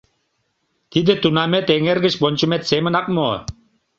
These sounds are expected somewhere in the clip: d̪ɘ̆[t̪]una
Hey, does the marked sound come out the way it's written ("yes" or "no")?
yes